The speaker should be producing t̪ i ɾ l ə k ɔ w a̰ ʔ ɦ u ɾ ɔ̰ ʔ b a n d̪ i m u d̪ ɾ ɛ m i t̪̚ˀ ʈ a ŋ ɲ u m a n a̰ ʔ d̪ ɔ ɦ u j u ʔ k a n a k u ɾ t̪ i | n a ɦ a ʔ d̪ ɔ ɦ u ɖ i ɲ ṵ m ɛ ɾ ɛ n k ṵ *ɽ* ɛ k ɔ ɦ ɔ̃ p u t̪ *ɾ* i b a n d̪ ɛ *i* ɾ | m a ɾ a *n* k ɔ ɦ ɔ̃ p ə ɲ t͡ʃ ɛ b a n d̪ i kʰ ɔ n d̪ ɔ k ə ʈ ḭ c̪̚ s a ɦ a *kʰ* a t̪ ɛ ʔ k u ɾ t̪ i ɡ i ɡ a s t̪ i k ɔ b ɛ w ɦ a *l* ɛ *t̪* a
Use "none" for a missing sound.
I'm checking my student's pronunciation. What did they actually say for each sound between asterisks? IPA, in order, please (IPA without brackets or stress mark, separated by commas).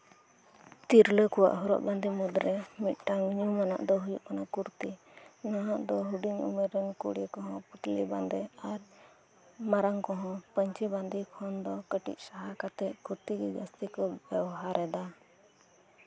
ɽ, l, a, ŋ, k, ɾ, d̪